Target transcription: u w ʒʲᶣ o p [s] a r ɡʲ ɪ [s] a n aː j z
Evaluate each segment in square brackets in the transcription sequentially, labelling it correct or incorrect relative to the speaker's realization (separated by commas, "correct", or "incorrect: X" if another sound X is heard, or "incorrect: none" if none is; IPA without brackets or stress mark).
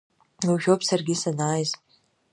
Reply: correct, correct